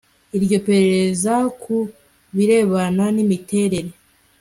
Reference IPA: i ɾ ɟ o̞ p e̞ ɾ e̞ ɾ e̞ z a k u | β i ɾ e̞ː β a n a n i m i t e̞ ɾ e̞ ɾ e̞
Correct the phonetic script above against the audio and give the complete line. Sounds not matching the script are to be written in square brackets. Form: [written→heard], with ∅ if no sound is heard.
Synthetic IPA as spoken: i ɾ ɟ o̞ p e̞ ɾ e̞ ɾ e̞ z a k u | β i ɾ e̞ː β a n a n i m i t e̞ ɾ e̞ ɾ e̞